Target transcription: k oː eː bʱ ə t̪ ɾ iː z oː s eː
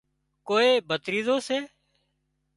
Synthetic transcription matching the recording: k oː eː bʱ ə t̪ ɾ iː z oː s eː